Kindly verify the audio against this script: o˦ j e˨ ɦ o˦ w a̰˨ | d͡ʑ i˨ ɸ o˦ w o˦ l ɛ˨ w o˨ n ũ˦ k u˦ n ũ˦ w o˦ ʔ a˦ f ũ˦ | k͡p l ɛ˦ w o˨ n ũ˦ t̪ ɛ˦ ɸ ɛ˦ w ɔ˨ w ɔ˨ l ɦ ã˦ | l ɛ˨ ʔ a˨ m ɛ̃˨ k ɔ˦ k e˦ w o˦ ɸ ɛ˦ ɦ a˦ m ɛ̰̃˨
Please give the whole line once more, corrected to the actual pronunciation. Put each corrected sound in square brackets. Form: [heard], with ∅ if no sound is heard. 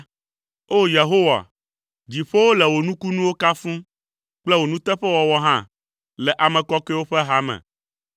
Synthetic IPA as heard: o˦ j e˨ ɦ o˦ w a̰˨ | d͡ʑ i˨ ɸ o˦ w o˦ l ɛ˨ w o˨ n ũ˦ k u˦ n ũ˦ w o˦ [k] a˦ f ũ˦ | k͡p l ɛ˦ w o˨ n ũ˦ t̪ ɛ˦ ɸ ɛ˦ w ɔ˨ w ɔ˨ [∅] ɦ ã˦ | l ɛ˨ ʔ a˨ m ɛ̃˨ k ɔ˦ k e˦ w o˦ ɸ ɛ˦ ɦ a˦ m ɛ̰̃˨